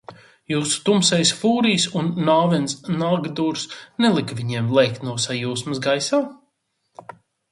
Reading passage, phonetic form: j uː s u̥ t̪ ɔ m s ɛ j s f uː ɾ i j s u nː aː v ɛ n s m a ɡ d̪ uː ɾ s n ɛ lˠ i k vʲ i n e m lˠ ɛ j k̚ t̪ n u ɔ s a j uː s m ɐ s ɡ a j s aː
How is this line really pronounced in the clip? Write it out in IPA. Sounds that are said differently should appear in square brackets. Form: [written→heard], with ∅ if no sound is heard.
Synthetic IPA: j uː s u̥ t̪ [ɔ→u] m s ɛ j s f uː ɾ i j s u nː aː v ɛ n s [m→n] a ɡ d̪ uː ɾ s n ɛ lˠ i k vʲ i [n→ɲ] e m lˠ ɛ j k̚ t̪ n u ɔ s a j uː s m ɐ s ɡ a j s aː

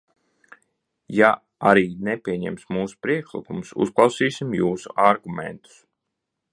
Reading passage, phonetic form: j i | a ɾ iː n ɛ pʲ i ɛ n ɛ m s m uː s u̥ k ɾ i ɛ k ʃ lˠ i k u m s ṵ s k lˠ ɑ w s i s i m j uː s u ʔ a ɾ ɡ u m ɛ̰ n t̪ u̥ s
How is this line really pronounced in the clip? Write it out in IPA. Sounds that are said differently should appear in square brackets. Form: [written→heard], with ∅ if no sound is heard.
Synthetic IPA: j [i→a] | a ɾ iː n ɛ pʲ i ɛ [n→ɲ] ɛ m s m uː s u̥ [k→p] ɾ i ɛ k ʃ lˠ i k u m s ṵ s k lˠ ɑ w s [i→iː] s i m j uː s u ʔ a ɾ ɡ u m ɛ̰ n t̪ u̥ s

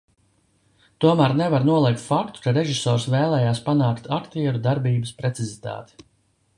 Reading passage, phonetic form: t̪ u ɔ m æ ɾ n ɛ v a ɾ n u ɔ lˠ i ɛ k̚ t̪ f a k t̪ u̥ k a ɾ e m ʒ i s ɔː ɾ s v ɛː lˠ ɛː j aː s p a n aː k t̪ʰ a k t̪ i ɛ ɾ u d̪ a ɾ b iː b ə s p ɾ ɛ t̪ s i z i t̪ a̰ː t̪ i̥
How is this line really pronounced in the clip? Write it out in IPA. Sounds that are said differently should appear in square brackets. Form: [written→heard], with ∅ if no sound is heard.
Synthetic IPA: t̪ u ɔ m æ ɾ n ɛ v a ɾ n u ɔ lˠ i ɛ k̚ t̪ f a k t̪ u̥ k a ɾ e [m→∅] ʒ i s ɔː ɾ s v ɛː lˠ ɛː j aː s p a n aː k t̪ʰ a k t̪ i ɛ ɾ u d̪ a ɾ b iː b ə s p ɾ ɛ t̪ s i z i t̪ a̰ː t̪ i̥

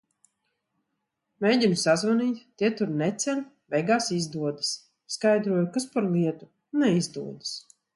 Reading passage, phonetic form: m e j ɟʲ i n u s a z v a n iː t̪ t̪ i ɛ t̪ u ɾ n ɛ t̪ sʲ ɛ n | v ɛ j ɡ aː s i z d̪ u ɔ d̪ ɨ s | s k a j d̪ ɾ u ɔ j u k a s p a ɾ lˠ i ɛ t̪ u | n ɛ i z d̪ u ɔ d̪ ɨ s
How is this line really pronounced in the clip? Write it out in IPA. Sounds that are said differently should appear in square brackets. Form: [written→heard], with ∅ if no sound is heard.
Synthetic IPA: m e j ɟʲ i n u s a z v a n iː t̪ t̪ i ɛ t̪ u ɾ n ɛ t̪ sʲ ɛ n | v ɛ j ɡ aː s i z d̪ u ɔ d̪ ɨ s | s k a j d̪ ɾ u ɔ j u k a s p a ɾ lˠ i ɛ t̪ u | n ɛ i z d̪ u ɔ d̪ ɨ s

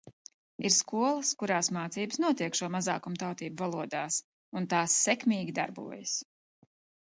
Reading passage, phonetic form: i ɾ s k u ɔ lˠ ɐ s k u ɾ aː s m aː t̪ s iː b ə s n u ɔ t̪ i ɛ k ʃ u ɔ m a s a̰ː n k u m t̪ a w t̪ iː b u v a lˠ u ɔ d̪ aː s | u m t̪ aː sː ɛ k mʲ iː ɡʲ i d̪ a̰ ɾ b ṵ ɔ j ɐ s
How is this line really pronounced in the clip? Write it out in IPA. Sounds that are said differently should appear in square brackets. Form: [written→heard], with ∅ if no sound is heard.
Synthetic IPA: i ɾ s k u ɔ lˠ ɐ s k u ɾ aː s m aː t̪ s iː b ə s n u ɔ t̪ i ɛ k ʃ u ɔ m a [s→z] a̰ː [n→∅] k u m t̪ a w t̪ iː b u v a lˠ u ɔ d̪ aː s | u [m→n] t̪ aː sː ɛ k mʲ iː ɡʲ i d̪ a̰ ɾ b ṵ ɔ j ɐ s

